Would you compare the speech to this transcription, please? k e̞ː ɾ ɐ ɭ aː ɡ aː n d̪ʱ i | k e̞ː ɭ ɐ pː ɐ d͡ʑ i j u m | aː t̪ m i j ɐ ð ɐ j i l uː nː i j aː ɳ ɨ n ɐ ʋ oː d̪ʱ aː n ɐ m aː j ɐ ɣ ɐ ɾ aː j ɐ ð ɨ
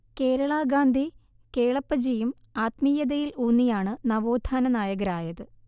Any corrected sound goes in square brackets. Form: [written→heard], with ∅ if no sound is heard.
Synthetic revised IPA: k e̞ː ɾ ɐ ɭ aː ɡ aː n d̪ʱ i | k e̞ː ɭ ɐ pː ɐ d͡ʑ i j u m | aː t̪ m i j ɐ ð ɐ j i l uː nː i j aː ɳ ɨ n ɐ ʋ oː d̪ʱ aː n ɐ [m→n] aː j ɐ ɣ ɐ ɾ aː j ɐ ð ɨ